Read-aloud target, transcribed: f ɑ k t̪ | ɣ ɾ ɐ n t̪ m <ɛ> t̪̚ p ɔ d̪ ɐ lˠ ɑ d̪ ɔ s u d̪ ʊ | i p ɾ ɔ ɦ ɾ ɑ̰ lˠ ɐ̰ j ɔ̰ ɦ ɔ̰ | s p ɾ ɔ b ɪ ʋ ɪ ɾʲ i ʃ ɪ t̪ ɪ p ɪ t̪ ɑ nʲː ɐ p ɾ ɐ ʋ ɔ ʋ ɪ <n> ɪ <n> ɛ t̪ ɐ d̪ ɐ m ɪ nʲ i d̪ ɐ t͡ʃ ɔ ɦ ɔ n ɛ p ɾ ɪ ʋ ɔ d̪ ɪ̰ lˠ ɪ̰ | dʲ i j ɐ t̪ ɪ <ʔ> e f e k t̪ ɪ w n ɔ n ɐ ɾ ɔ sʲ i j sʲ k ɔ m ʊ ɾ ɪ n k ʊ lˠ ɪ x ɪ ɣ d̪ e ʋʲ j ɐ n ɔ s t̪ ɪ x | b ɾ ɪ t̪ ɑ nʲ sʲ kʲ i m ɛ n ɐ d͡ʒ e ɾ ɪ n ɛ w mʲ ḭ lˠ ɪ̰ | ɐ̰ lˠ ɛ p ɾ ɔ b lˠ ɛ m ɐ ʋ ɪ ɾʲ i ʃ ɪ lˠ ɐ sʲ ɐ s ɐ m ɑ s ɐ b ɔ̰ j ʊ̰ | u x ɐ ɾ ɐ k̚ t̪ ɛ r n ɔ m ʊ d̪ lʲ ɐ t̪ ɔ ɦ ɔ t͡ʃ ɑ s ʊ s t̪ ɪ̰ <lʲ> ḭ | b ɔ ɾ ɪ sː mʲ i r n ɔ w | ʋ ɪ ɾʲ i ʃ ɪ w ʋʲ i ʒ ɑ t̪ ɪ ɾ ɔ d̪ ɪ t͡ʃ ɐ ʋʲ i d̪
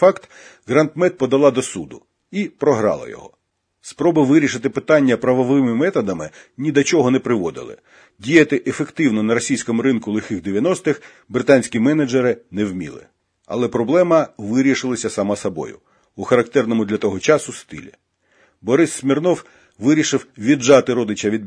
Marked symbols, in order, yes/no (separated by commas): yes, no, no, yes, yes